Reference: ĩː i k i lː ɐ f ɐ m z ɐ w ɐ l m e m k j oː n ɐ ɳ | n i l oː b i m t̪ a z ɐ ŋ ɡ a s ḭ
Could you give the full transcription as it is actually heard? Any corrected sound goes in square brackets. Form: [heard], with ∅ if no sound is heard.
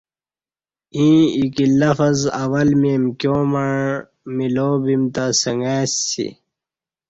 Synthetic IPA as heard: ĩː i k i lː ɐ f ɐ [∅] z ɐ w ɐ l m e m k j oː [m] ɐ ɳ | [m] i l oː b i m t̪ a [s] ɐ ŋ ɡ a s ḭ

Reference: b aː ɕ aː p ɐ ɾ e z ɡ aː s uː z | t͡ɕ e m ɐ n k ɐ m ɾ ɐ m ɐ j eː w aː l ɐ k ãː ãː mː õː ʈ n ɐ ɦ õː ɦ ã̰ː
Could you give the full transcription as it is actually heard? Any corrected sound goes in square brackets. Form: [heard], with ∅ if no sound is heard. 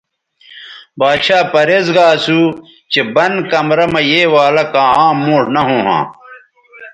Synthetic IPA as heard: b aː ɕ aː p ɐ ɾ e z ɡ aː s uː [∅] | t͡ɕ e [b] ɐ n k ɐ m ɾ ɐ m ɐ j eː w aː l ɐ k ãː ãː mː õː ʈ n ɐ ɦ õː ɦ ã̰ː

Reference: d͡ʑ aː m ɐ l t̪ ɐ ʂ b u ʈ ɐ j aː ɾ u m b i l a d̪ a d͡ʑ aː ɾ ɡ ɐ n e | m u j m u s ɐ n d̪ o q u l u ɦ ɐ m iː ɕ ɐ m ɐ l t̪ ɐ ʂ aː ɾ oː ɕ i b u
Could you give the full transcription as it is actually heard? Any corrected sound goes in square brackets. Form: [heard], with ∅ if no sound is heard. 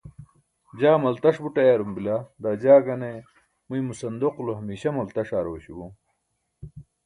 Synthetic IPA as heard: d͡ʑ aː m ɐ l t̪ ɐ ʂ b u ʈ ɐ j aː ɾ u m b i l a d̪ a d͡ʑ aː [∅] ɡ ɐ n e | m u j m u s ɐ n d̪ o q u l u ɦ ɐ m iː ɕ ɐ m ɐ l t̪ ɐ ʂ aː ɾ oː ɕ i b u

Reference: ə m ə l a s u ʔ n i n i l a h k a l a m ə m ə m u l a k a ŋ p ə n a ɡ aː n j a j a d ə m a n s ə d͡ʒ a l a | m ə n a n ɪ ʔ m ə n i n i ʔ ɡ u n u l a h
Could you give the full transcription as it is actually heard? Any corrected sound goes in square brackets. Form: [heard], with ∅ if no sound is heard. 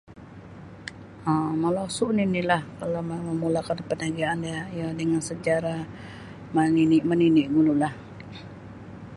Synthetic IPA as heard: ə m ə l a s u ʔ n i n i l a h k a l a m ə m ə m u l a k a [n] p ə n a ɡ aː n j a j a d ə [ŋ] a n s ə d͡ʒ a [ɾ] a | m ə n [i] n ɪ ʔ m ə n i n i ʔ ɡ u n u l a h

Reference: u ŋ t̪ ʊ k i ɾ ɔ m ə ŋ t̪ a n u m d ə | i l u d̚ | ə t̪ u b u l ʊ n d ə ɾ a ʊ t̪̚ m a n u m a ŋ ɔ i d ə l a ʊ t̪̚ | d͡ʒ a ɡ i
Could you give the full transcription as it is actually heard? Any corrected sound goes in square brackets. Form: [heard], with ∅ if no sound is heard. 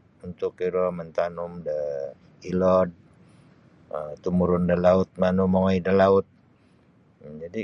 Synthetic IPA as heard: u [n] t̪ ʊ k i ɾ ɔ m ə [n] t̪ a n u m d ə | i l [ɔ] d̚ | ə t̪ u [m] u [ɾ] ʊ n d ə [l] a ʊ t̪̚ m a n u m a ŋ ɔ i d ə l a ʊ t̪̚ | d͡ʒ a [d] i

